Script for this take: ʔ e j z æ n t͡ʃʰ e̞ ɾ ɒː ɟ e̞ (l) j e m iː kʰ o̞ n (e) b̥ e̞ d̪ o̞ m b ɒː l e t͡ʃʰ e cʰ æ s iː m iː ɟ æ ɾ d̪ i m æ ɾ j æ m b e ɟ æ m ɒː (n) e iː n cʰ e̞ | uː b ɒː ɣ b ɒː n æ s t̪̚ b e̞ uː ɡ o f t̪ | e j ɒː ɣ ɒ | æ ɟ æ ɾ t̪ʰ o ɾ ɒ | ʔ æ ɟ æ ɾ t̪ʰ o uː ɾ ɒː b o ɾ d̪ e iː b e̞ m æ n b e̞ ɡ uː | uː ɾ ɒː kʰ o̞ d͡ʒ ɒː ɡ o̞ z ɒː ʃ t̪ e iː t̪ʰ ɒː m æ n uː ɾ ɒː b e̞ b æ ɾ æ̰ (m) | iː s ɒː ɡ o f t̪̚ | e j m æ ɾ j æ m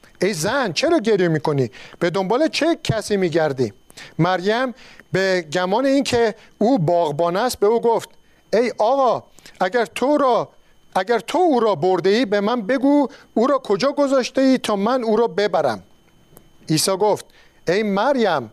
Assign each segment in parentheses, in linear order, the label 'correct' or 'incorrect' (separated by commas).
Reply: incorrect, incorrect, correct, correct